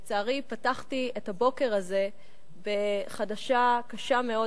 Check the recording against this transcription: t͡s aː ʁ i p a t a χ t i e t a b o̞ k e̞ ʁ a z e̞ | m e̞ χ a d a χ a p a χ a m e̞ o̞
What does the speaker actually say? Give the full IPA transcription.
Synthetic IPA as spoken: t͡s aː ʁ i p a t a χ t i e t a b o̞ k e̞ ʁ a z e̞ | b e̞ χ a d a ʃ a k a ʃ a m e̞ o̞